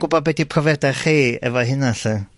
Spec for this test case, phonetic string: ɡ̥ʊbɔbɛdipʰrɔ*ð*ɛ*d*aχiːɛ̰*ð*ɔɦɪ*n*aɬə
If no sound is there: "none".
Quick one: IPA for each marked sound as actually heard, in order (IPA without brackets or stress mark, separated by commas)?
v, d, v, n